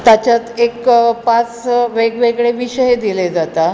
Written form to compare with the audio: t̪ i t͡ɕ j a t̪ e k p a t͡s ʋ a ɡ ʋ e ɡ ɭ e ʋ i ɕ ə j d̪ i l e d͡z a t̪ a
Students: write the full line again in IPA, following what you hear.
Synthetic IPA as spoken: t̪ a t͡ɕ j a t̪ e k p a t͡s ʋ e ɡ ʋ e ɡ ɭ e ʋ i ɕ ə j d̪ i l e d͡z a t̪ a

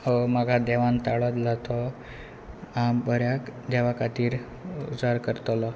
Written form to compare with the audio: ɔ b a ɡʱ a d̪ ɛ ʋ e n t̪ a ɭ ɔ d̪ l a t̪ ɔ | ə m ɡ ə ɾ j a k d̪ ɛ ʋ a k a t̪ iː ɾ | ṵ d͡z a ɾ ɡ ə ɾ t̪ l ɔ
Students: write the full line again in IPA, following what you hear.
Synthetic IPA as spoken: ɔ m a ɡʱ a d̪ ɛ ʋ a n t̪ a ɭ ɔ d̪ l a t̪ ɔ | a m b ə ɾ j a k d̪ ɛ ʋ a k a t̪ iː ɾ | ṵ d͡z a ɾ k ə ɾ t̪ l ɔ

